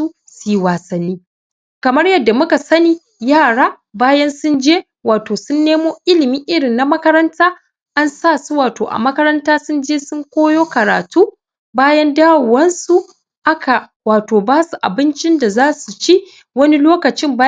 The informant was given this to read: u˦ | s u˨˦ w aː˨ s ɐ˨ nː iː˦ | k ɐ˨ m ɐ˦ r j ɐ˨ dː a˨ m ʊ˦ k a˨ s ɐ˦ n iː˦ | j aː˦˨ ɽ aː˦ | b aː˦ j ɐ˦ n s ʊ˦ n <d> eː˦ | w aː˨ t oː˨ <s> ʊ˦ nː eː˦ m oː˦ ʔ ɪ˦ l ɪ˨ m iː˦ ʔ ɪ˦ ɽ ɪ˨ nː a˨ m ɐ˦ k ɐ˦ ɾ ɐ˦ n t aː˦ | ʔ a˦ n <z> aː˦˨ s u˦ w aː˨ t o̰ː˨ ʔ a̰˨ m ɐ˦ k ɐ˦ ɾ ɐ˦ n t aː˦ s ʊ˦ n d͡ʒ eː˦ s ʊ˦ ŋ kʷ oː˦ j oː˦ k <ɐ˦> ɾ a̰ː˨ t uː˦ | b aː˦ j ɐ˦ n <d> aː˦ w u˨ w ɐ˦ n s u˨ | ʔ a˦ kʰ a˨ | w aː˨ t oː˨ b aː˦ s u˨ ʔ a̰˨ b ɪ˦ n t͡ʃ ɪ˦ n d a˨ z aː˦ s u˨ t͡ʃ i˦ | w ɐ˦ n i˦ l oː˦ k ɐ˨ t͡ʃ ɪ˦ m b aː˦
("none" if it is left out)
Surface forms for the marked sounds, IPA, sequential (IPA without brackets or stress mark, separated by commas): d͡ʒ, s, s, ɐ˨, d